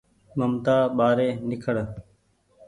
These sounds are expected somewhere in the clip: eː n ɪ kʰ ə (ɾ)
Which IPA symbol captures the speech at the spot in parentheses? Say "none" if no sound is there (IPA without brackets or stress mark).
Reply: ɽ